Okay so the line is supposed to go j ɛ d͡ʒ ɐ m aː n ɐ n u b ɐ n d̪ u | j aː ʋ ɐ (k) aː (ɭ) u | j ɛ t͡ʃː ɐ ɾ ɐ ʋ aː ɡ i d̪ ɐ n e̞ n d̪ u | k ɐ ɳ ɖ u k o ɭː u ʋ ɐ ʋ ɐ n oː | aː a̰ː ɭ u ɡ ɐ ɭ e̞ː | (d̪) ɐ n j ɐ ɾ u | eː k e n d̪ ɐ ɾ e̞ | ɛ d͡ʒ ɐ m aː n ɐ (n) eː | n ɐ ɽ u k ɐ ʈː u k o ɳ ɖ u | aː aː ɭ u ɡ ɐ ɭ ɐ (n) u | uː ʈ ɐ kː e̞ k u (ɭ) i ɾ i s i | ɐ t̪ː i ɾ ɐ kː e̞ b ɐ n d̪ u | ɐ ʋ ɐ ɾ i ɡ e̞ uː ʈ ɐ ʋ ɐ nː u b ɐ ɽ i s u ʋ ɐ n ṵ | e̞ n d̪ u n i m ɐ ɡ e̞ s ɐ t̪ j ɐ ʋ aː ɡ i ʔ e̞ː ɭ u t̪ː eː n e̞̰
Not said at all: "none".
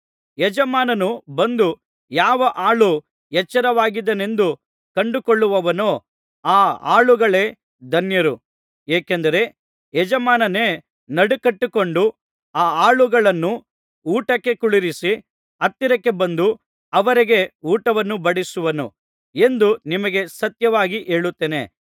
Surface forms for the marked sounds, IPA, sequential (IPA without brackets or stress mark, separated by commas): ʔ, ɭ, d̪, n, nː, ɭ